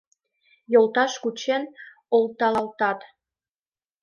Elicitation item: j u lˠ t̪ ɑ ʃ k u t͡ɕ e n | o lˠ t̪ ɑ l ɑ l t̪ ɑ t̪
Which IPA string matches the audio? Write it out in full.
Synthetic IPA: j o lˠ t̪ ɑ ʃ k u t͡ɕ e n | o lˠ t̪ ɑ l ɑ l t̪ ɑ t̪

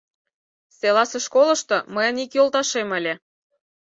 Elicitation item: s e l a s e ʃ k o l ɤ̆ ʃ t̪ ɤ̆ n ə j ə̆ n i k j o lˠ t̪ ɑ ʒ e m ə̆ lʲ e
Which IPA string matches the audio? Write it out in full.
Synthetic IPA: s e l ɑ s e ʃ k o l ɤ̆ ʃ t̪ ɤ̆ m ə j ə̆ n i k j o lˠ t̪ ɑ ʃ e m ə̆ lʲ e

